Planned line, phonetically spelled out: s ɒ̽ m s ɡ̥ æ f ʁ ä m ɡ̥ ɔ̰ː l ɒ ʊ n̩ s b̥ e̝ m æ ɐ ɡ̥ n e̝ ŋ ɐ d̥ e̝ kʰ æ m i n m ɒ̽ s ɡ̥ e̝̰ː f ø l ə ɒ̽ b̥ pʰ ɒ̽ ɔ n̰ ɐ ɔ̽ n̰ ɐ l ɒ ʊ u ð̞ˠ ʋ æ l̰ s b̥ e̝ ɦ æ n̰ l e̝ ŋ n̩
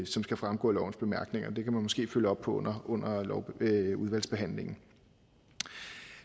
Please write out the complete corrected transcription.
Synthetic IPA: s ɒ̽ m s ɡ̥ æ f ʁ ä m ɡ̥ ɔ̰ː l ɒ ʊ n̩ s b̥ e̝ m æ ɐ ɡ̥ n e̝ ŋ ɐ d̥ e̝ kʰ æ m æ n m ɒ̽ s ɡ̥ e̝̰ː f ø l ə ɒ̽ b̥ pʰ ɒ̽ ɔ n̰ ɐ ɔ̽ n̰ ɐ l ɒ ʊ u ð̞ˠ ʋ æ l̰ s b̥ e̝ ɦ æ n̰ l e̝ ŋ n̩

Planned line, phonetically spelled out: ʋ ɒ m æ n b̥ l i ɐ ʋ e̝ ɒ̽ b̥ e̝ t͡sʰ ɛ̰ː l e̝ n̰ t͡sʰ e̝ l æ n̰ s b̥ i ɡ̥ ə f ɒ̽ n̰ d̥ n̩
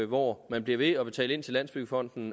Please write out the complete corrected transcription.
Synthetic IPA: ʋ ɒ m æ n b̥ l i ɐ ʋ e̝ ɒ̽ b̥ e̝ t͡sʰ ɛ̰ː l e̝ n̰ t͡sʰ e̝ l æ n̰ s b̥ y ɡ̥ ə f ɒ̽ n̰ d̥ n̩

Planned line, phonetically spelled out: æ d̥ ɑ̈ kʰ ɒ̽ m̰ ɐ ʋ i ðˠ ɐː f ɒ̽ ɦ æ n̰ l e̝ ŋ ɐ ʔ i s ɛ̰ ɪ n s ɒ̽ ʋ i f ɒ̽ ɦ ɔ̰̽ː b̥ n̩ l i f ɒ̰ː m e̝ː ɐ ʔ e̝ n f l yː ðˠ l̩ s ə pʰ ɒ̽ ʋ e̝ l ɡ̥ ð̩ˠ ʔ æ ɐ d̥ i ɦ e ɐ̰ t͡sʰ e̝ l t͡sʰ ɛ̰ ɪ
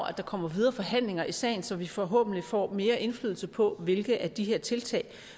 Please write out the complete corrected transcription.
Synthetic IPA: æ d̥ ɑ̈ kʰ ɒ̽ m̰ ɐ ʋ i ðˠ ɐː f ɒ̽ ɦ æ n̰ l e̝ ŋ ɐ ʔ i s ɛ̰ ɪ n s ɒ̽ ʋ i f ɒ̽ ɦ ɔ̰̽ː b̥ n̩ l i f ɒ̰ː m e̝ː ɐ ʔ e̝ n f l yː ðˠ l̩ s ə pʰ ɒ̽ ʋ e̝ l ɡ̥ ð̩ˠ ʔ æ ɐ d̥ i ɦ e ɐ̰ t͡sʰ e̝ l t͡sʰ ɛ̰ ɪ

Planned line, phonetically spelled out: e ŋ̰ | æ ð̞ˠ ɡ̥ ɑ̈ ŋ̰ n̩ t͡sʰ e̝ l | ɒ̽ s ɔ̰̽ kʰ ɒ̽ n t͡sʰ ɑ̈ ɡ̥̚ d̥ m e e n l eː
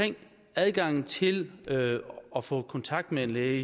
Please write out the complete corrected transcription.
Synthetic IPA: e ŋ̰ | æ ð̞ˠ ɡ̥ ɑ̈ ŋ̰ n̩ t͡sʰ e̝ l | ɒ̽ f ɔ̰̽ kʰ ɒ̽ n t͡sʰ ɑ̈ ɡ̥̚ d̥ m e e n l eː

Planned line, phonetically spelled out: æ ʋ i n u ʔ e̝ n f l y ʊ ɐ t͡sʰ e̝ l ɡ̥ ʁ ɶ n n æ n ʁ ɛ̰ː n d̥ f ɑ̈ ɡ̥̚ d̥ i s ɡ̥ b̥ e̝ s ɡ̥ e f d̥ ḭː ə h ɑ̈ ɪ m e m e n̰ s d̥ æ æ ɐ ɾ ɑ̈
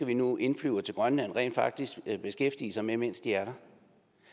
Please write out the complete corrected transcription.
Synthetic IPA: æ ʋ i n u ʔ e̝ n f l y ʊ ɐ t͡sʰ e̝ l ɡ̥ ʁ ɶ n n æ n ʁ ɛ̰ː n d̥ f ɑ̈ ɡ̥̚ d̥ i s ɡ̥ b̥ e̝ s ɡ̥ e f d̥ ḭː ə s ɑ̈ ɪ m e m e n̰ s d̥ i æ ɐ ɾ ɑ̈

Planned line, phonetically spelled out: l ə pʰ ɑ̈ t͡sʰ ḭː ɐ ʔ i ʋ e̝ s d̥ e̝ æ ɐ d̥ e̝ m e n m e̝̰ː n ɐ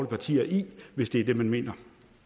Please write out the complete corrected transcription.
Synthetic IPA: l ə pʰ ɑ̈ t͡sʰ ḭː ɐ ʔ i ʋ e̝ s d̥ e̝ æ ɐ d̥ e̝ m æ n m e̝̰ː n ɐ

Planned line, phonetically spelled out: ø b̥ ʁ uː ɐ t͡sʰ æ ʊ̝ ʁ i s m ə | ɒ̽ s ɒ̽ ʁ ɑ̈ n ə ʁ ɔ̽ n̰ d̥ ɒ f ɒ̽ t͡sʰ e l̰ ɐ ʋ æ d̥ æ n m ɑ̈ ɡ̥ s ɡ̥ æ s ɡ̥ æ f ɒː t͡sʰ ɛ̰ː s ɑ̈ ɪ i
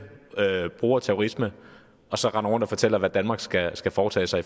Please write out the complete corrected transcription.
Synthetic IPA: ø b̥ ʁ uː ɐ t͡sʰ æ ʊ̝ ʁ i s m ə | ɒ̽ s ɒ̽ ʁ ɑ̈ n ɐ ʁ ɔ̽ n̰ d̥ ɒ f ɒ̽ t͡sʰ e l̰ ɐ ʋ æ d̥ æ n m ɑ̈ ɡ̥ s ɡ̥ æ s ɡ̥ æ f ɒː t͡sʰ ɛ̰ː s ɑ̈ ɪ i

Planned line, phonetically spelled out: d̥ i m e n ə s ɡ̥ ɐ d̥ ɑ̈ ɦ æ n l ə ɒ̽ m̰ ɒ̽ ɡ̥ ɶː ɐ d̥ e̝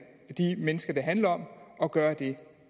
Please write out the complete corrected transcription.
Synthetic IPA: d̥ i m e n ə s ɡ̥ ɐ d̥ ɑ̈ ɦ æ n l ɐ ɒ̽ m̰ ɒ̽ ɡ̥ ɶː ɐ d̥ e̝

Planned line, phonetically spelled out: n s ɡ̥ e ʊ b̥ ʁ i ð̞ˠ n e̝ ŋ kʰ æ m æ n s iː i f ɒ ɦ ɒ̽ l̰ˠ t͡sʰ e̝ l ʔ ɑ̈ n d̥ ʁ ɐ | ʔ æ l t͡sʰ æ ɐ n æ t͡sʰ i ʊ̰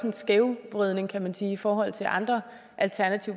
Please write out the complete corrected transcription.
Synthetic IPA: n s ɡ̥ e ʊ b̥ ʁ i ð̞ˠ n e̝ ŋ kʰ æ m æ n s iː i f ɒː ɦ ɒ̽ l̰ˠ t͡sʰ e̝ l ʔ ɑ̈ n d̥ ʁ ɐ | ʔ æ l t͡sʰ æ ɐ n æ t͡sʰ i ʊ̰

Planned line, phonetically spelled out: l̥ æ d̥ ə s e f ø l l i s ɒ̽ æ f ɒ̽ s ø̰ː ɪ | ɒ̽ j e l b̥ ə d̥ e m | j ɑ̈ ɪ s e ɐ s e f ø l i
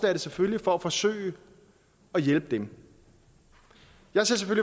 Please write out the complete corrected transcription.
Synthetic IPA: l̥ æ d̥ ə s e f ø l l i f ɒ̽ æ f ɒ̽ s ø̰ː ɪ | ɒ̽ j e l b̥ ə d̥ e m | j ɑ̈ ɪ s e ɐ s e f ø l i

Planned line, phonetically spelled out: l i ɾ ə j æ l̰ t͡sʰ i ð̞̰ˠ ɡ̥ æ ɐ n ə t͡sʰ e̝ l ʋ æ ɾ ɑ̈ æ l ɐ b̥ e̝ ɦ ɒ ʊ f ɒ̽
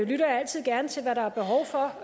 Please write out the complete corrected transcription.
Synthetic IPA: l y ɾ ɐ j æ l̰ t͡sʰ i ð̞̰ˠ ɡ̥ æ ɐ n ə t͡sʰ e̝ l ʋ æ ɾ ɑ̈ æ ɐ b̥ e̝ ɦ ɒ ʊ f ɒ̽

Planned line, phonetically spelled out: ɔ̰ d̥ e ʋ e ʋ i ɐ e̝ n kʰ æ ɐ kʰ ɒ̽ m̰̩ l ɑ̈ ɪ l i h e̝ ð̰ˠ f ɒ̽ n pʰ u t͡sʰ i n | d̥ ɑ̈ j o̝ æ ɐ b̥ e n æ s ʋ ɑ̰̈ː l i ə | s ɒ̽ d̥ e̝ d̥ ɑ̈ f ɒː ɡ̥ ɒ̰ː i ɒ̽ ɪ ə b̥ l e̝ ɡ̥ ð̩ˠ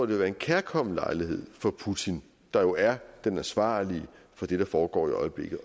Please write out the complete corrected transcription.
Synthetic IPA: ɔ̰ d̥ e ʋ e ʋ æ ɐ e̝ n kʰ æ ɐ kʰ ɒ̽ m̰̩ l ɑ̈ ɪ l i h e̝ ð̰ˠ f ɒ̽ pʰ u t͡sʰ i n | d̥ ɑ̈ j o̝ æ ɐ d̥ e n æ s ʋ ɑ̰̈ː l i ə | f ɒ̽ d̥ e̝ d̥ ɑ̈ f ɒː ɡ̥ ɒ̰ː i ɒ̽ ɪ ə b̥ l e̝ ɡ̥ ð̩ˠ

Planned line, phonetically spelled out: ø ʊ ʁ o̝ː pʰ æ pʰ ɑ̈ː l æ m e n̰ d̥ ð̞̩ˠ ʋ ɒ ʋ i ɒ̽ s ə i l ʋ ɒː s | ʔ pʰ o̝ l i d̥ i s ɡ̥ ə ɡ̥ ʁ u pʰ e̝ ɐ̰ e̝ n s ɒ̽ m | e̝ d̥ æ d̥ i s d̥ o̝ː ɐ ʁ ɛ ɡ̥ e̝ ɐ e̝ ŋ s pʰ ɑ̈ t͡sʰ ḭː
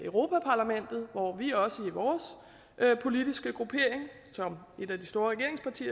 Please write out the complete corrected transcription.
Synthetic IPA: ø ʊ ʁ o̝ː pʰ æ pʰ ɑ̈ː l æ m e n̰ d̥ ð̞̩ˠ ʋ ɒ ʋ i ɒ̽ s ə i ʋ ɒː s | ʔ pʰ o̝ l i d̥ i s ɡ̥ ə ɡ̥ ʁ u pʰ e̝ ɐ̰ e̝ ŋ s ɒ̽ m | e̝ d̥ æ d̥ i s d̥ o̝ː ɐ ʁ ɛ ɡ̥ e̝ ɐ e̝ ŋ s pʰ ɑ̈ t͡sʰ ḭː

